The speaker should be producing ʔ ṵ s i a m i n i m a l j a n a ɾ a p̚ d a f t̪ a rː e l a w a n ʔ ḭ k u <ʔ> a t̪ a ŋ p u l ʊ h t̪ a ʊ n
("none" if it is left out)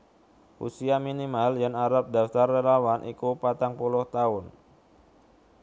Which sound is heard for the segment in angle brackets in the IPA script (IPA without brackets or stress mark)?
p